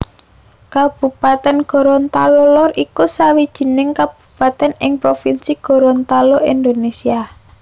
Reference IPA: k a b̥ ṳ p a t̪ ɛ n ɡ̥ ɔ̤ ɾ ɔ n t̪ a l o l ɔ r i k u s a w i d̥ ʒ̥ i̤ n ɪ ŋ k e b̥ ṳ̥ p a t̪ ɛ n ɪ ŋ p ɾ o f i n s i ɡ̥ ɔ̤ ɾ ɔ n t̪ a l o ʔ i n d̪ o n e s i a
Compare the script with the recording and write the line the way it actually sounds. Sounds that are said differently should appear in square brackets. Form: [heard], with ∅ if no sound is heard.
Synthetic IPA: k a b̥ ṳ p a t̪ ɛ n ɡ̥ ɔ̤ ɾ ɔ n t̪ a l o l ɔ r i k u s a w i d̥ ʒ̥ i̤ n ɪ ŋ k [a] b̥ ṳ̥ p a t̪ ɛ n ɪ ŋ p ɾ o f i n s i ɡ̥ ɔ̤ ɾ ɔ n t̪ a l o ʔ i n d̪ o n e s i a